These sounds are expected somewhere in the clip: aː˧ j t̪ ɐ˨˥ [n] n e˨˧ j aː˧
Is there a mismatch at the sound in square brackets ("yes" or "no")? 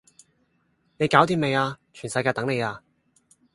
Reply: yes